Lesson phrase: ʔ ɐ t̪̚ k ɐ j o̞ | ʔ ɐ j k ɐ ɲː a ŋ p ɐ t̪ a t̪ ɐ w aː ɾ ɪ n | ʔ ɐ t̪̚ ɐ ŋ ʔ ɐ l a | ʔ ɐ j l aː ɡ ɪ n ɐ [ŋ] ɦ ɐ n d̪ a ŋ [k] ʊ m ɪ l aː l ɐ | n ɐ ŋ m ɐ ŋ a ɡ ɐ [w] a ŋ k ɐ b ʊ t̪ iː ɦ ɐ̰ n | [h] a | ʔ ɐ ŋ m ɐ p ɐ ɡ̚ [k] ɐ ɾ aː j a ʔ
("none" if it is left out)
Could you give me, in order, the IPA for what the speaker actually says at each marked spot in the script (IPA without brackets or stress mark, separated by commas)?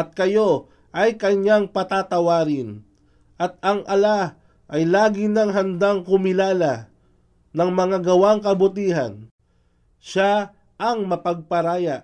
ŋ, k, w, ʃ, p